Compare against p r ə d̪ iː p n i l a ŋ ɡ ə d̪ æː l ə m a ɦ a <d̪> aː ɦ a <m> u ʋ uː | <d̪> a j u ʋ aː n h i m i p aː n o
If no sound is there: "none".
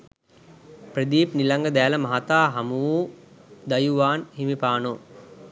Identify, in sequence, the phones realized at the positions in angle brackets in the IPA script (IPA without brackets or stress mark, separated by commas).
t̪, m, d̪